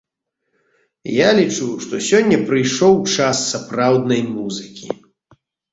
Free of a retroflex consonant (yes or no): no